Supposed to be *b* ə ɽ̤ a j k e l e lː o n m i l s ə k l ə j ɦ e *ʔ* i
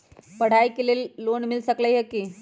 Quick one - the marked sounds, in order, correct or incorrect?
incorrect, incorrect

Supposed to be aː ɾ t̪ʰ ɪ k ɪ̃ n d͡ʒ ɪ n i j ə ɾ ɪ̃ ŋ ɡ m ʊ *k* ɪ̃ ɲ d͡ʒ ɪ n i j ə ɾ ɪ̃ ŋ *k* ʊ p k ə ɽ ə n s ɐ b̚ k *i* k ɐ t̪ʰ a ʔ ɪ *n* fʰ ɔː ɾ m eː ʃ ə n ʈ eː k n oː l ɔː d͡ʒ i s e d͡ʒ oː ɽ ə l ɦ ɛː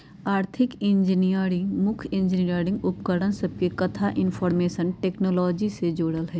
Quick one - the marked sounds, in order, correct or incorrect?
incorrect, incorrect, incorrect, correct

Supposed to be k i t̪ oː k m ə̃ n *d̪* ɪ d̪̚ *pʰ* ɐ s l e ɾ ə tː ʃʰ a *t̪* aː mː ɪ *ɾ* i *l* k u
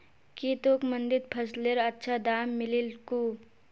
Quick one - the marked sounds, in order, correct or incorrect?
correct, correct, incorrect, incorrect, correct

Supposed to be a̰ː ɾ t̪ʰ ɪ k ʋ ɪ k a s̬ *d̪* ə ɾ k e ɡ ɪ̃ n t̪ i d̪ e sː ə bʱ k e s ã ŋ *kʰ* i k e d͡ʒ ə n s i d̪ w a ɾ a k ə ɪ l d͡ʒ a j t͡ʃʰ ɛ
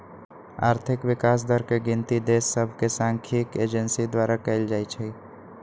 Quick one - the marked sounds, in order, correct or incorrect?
correct, correct

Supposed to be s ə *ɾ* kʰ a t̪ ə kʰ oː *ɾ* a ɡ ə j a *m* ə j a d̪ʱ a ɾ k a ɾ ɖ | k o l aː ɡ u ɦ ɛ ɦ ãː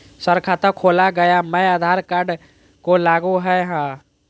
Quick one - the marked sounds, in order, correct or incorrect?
correct, incorrect, correct

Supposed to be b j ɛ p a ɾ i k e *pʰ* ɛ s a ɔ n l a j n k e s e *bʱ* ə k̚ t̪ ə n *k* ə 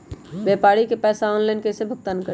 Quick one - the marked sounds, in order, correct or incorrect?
incorrect, correct, correct

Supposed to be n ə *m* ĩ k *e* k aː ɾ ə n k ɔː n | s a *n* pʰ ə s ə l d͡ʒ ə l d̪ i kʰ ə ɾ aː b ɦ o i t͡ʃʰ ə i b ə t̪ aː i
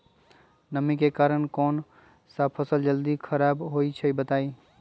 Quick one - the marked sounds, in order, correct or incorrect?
correct, correct, incorrect

